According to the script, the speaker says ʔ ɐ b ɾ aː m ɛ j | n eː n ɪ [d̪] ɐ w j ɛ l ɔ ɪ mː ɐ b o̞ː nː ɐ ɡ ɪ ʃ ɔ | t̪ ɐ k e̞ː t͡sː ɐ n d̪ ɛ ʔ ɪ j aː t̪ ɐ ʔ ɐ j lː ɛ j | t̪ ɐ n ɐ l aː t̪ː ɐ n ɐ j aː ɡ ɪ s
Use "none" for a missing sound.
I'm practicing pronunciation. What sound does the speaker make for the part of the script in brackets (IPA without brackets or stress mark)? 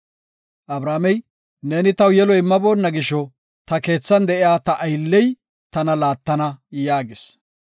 t̪